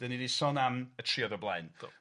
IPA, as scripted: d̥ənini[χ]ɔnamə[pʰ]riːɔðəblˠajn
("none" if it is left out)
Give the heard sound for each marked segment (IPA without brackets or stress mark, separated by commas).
s, tʰ